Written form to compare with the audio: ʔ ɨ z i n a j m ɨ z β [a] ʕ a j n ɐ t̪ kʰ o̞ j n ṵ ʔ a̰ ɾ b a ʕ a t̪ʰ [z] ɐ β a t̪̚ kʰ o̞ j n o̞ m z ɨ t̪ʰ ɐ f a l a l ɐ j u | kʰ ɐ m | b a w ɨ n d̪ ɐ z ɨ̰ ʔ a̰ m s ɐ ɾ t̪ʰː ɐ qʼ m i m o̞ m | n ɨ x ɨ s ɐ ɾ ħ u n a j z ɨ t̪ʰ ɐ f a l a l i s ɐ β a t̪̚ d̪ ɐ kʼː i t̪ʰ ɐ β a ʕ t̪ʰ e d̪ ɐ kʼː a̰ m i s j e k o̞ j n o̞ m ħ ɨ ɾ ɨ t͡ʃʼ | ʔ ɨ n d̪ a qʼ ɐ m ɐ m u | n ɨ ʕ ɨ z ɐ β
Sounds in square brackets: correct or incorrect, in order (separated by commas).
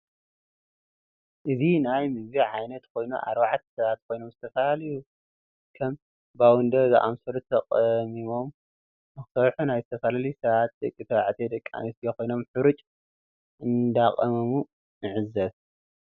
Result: incorrect, incorrect